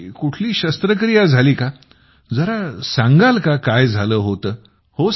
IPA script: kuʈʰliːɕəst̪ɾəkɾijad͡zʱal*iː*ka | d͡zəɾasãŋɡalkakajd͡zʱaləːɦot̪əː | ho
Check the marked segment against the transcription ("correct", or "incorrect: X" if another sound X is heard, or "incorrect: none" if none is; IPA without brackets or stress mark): correct